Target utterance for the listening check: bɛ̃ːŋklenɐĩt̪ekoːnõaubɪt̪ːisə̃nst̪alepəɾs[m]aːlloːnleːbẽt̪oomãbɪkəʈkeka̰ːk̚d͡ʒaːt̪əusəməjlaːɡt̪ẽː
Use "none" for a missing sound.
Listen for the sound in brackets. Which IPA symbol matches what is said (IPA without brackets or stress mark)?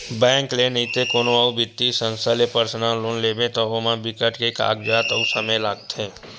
n